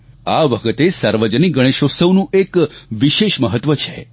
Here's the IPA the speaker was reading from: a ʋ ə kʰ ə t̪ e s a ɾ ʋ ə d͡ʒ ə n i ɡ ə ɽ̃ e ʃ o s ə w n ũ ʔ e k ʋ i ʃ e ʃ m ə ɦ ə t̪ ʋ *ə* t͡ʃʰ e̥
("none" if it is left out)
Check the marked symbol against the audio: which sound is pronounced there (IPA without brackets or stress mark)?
ə